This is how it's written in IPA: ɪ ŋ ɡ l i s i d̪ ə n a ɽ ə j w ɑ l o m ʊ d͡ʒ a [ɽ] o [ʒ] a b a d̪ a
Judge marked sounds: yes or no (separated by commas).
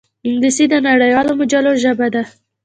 no, yes